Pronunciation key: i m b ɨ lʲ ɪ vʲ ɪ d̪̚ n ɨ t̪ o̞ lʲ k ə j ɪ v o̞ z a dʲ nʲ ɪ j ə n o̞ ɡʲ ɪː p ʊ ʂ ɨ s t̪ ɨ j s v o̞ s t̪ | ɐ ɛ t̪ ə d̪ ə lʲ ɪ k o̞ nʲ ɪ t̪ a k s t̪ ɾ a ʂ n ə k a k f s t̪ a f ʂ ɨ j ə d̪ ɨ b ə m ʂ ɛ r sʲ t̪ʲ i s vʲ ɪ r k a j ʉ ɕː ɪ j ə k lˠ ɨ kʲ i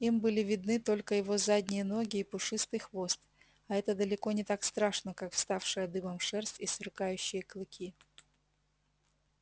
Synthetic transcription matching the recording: i m b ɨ lʲ ɪ vʲ ɪ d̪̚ n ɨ t̪ o̞ lʲ k ə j ɪ v o̞ z a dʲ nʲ ɪ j ə n o̞ ɡʲ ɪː p ʊ ʂ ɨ s t̪ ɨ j x v o̞ s t̪ | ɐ ɛ t̪ ə d̪ ə lʲ ɪ k o̞ nʲ ɪ t̪ a k s t̪ ɾ a ʂ n ə k a k f s t̪ a f ʂ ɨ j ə d̪ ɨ b ə m ʂ ɛ r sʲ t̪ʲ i s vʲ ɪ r k a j ʉ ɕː ɪ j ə k lˠ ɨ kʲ i